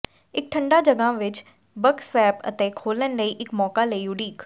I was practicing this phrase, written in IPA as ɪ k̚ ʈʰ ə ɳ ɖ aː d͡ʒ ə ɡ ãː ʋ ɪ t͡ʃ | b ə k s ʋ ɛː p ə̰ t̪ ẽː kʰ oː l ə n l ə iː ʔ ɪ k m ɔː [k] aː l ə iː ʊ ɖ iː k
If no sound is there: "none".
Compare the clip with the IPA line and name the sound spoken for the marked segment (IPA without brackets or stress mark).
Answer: k